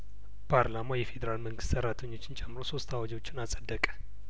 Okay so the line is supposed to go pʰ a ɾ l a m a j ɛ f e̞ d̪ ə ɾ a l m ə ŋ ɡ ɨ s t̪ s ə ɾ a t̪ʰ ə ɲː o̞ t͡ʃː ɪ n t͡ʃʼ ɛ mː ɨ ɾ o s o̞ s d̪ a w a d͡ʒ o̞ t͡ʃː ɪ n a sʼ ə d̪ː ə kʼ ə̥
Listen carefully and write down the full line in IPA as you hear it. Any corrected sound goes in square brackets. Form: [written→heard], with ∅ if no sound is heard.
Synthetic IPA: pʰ a ɾ l a m a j ɛ f e̞ d̪ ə ɾ a l m ə ŋ ɡ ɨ s t̪ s ə ɾ a t̪ʰ ə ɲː o̞ t͡ʃː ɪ n t͡ʃʼ ɛ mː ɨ ɾ o s o̞ s [d̪→t̪] a w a d͡ʒ o̞ t͡ʃː ɪ n a sʼ ə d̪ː ə kʼ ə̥